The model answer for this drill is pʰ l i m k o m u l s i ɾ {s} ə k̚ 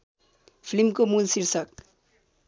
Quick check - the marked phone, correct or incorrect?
correct